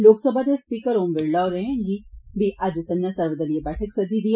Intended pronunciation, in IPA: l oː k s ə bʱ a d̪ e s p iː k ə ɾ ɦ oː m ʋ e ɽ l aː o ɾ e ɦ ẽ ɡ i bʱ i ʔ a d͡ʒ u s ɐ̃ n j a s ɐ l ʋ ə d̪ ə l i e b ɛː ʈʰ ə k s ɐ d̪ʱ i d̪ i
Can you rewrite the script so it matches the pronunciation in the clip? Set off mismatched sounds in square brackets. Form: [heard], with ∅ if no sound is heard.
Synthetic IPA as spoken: l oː k s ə bʱ a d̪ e s p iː k ə ɾ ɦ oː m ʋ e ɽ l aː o ɾ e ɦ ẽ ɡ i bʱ i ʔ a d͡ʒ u s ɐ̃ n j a s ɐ [ɾ] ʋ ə d̪ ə l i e b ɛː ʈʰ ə k s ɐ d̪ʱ i d̪ i